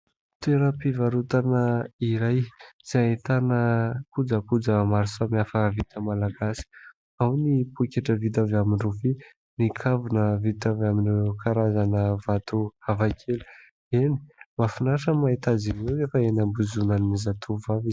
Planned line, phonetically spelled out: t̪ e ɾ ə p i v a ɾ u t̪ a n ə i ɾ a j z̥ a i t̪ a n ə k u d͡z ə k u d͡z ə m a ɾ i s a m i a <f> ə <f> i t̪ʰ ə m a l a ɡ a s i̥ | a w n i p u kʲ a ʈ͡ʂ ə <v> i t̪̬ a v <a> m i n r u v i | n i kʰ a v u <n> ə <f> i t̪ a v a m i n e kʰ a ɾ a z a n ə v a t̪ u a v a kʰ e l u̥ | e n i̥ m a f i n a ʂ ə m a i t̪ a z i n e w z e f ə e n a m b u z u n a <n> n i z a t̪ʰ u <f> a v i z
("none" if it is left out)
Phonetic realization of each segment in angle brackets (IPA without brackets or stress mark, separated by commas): f, v, v, a, n, v, n, v